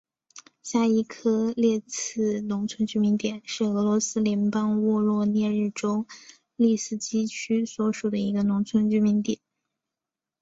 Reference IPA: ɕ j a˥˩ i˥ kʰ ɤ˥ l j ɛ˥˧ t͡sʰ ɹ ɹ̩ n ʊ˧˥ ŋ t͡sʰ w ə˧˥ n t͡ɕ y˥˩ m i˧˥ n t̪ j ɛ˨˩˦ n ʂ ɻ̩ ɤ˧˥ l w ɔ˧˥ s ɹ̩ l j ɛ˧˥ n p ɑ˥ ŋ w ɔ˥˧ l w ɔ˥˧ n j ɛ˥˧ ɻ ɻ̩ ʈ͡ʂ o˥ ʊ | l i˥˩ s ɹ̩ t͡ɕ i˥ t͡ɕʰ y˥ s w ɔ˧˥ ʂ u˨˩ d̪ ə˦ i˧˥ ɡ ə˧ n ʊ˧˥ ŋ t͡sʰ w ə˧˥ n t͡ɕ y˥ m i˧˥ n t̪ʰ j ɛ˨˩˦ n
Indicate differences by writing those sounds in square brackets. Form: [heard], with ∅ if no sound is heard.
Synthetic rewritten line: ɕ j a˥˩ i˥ kʰ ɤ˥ l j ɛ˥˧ t͡sʰ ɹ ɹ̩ n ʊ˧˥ ŋ t͡sʰ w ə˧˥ n t͡ɕ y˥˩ m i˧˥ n t̪ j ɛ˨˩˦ n ʂ ɻ̩ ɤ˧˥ l w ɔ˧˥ s ɹ̩ l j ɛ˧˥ n p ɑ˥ ŋ w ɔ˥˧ l w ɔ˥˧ n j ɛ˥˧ ɻ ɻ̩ ʈ͡ʂ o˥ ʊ | l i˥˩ s ɹ̩ t͡ɕ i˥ t͡ɕʰ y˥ s w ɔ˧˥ ʂ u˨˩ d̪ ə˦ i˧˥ ɡ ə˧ n ʊ˧˥ ŋ t͡sʰ w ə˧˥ n t͡ɕ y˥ m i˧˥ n [t̪] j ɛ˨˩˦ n